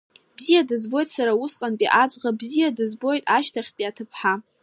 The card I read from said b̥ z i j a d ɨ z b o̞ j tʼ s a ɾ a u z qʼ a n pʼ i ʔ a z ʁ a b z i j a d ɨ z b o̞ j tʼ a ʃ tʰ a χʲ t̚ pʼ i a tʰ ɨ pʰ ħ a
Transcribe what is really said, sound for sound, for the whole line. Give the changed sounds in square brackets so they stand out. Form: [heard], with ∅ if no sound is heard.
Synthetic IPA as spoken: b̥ z i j a d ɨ z b o̞ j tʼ s a ɾ a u [s] qʼ a n pʼ i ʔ a [d͡z] ʁ a b z i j a d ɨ z b o̞ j tʼ a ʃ tʰ a χʲ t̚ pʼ i a tʰ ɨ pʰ ħ a